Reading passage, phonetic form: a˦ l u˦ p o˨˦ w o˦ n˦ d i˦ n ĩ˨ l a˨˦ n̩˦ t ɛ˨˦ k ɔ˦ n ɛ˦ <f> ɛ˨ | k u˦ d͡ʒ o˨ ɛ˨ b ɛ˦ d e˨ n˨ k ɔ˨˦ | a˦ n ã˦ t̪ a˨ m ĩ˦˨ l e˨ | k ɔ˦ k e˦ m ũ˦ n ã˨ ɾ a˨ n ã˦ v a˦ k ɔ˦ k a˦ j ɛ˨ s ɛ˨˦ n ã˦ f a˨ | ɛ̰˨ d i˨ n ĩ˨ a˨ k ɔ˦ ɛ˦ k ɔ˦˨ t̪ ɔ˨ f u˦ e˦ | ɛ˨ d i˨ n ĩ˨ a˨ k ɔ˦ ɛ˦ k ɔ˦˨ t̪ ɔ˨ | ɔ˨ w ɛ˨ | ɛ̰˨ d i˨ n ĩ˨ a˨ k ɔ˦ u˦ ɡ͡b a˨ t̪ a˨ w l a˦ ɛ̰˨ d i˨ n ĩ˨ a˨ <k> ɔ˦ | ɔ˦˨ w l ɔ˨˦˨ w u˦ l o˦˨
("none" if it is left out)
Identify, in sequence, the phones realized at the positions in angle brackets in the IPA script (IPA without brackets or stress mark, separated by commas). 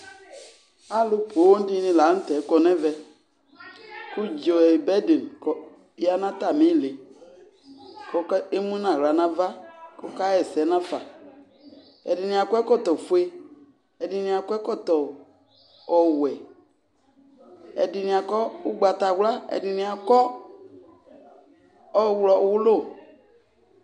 v, k